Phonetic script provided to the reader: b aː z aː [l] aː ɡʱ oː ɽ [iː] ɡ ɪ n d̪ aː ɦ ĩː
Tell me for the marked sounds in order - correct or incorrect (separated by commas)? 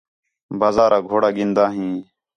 incorrect, incorrect